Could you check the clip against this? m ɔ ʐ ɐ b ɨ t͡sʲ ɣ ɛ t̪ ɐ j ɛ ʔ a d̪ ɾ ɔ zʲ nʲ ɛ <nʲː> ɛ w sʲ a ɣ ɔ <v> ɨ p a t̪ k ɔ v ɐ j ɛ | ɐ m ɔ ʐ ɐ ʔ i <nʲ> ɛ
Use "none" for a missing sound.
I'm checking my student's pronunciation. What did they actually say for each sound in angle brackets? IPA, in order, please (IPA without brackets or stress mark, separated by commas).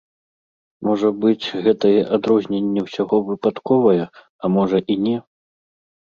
nʲː, v, nʲ